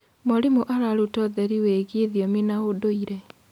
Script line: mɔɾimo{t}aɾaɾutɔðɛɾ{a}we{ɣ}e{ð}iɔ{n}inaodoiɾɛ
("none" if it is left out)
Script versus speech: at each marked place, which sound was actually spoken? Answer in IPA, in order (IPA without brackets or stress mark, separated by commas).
ʔ, i, ɣ, ð, m